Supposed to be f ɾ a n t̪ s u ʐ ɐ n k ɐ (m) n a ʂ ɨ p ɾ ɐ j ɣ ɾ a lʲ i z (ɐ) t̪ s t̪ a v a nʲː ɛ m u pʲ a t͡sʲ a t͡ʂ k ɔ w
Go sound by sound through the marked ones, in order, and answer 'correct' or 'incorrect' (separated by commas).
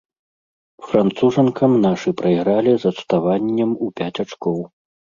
correct, correct